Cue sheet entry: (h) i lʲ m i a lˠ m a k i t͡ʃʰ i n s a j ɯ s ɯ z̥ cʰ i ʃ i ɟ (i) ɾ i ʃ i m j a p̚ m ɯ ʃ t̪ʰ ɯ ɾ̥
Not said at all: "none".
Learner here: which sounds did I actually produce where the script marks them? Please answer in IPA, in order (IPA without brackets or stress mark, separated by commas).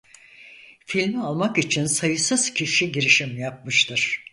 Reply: f, i